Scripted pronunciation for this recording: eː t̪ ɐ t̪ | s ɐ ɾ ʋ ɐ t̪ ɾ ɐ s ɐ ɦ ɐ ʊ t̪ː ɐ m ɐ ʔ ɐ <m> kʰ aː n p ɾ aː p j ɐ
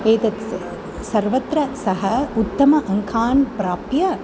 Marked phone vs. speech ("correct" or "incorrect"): incorrect